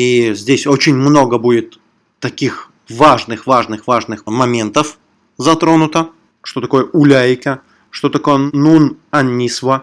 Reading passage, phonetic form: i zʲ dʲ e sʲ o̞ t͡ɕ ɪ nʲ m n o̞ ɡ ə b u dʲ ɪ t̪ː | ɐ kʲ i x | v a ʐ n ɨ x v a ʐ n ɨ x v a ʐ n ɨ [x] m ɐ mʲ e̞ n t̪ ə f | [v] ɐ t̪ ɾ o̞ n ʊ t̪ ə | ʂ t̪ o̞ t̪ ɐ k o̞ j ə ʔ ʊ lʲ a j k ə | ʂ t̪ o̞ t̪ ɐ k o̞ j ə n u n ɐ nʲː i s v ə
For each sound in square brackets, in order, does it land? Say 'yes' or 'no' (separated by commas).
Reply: yes, no